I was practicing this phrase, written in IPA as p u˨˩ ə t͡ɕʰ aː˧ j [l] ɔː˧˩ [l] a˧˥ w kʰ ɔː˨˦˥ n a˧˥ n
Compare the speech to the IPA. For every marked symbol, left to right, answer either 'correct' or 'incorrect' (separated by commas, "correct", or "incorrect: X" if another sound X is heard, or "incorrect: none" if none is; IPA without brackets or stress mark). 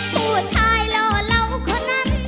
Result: correct, correct